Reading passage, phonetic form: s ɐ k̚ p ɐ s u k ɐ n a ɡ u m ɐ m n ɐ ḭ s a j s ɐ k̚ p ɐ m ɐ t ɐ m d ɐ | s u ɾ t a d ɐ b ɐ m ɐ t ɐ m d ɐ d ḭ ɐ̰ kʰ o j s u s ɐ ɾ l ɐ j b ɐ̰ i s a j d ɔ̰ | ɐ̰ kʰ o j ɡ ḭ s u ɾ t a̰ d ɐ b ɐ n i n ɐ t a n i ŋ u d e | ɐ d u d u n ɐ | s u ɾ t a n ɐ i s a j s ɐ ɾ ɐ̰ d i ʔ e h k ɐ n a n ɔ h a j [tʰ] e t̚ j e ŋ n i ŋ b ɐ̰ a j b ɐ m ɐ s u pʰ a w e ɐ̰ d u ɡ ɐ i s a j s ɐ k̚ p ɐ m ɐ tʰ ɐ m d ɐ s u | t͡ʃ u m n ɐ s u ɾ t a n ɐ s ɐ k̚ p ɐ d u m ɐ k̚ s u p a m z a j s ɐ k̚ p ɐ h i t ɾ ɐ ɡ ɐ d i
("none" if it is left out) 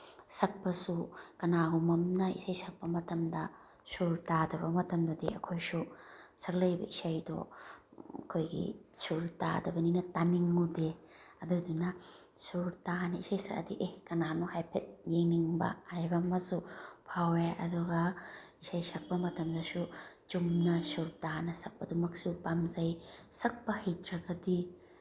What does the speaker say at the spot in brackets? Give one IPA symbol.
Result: pʰ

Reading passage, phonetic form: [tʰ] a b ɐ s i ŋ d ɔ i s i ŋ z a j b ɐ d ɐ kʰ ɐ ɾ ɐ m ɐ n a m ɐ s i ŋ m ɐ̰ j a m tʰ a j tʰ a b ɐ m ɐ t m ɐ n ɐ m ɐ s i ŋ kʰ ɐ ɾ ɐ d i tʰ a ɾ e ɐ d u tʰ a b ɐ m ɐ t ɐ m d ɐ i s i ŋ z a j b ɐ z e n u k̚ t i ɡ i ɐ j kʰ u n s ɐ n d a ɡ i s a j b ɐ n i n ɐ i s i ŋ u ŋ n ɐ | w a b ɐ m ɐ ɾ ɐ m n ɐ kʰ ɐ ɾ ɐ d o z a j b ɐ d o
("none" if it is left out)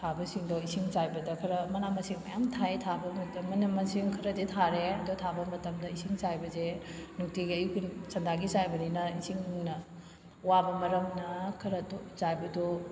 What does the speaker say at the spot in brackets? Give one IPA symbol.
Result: tʰ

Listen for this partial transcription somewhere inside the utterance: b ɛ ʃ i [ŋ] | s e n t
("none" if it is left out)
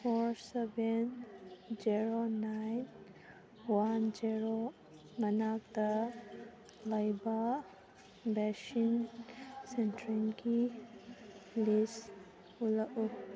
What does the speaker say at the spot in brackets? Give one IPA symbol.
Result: n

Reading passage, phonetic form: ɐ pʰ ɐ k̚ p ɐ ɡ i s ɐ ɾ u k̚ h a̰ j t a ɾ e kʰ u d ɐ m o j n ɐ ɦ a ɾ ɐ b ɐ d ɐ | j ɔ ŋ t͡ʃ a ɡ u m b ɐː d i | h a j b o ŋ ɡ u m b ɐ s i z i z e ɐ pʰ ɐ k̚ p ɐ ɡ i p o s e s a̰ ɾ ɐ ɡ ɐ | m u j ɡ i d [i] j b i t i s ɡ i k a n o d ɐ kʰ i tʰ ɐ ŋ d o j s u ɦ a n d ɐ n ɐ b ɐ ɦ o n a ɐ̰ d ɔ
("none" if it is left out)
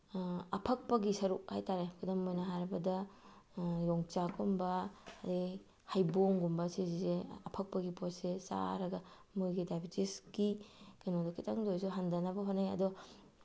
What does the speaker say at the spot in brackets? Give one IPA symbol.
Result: a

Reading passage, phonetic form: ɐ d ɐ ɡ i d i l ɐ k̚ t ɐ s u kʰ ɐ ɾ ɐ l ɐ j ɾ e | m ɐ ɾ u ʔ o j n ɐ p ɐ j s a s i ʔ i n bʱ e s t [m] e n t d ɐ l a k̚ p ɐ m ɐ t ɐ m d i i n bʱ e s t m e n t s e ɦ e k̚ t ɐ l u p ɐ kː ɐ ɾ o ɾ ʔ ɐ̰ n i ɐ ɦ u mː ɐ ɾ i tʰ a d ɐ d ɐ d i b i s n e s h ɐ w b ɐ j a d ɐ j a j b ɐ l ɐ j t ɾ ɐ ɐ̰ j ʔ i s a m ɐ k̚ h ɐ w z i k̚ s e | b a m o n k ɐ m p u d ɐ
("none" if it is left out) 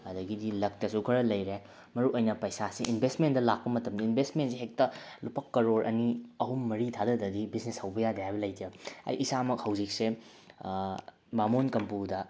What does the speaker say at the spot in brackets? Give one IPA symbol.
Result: m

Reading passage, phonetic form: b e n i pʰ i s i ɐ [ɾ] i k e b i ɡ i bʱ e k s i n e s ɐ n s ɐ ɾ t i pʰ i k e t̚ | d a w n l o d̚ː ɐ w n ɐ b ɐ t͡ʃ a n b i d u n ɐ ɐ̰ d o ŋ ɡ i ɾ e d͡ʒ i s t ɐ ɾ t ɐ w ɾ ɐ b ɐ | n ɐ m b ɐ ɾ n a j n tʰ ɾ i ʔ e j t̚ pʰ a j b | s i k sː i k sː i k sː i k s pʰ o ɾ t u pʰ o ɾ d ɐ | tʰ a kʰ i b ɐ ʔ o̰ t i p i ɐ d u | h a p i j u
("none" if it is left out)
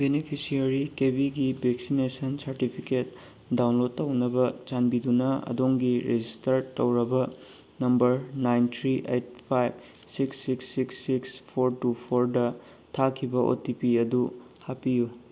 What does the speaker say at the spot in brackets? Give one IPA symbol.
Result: ɾ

